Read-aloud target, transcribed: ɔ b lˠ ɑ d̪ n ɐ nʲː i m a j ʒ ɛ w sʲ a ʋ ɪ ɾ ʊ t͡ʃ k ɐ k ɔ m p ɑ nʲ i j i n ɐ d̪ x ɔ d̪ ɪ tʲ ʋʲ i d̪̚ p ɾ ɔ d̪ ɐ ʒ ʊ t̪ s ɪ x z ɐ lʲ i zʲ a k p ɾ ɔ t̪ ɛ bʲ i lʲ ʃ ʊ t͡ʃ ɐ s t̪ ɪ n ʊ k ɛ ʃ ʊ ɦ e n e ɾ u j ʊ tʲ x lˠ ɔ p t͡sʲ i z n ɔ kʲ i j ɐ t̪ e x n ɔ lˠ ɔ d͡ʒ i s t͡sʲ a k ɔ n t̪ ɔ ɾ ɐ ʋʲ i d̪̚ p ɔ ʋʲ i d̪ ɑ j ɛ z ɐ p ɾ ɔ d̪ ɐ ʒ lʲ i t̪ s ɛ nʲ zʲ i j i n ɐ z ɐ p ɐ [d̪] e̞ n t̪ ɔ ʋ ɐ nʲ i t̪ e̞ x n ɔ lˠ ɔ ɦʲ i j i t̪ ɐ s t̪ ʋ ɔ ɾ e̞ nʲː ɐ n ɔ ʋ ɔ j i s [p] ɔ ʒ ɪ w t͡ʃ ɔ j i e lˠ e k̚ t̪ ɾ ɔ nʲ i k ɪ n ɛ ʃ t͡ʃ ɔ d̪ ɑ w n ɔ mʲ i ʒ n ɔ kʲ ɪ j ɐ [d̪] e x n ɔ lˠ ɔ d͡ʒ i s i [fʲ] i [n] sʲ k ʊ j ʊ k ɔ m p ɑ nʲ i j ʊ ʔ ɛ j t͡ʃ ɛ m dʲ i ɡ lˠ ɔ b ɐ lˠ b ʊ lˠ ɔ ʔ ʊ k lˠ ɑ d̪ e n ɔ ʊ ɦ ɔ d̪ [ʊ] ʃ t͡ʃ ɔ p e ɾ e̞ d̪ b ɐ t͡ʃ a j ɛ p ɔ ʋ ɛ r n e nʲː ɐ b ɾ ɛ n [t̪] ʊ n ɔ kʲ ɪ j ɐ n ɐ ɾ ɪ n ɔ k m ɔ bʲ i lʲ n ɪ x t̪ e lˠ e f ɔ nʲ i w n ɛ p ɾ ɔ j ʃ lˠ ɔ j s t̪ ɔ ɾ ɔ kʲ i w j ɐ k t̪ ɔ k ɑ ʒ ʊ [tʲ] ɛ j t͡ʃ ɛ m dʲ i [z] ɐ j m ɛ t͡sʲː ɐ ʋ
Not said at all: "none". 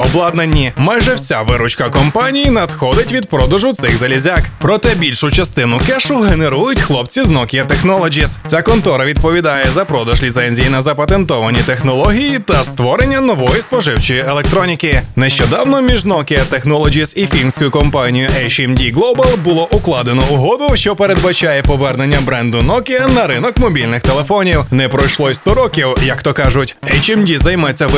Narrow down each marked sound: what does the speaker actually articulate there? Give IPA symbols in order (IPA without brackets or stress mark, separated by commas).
t̪, p, t̪, fʲ, n, ʊ, d̪, tʲ, z